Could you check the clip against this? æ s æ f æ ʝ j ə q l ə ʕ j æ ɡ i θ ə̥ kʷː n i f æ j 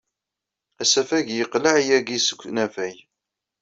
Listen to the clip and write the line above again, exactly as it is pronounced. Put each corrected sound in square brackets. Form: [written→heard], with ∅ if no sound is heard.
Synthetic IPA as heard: æ s æ f æ ʝ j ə q l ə ʕ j æ ɡ i [θ→s] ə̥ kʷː n [i→æ] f æ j